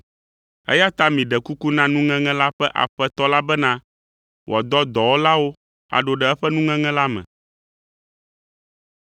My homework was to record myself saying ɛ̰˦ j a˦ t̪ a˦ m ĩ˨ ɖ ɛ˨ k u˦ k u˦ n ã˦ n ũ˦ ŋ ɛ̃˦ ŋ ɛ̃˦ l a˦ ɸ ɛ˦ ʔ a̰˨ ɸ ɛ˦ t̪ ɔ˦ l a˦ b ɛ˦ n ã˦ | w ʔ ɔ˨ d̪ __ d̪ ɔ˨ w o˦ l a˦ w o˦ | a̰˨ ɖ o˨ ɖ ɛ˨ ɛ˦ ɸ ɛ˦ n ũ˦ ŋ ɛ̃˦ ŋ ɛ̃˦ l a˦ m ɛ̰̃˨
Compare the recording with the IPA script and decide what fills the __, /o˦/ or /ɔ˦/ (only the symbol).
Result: ɔ˦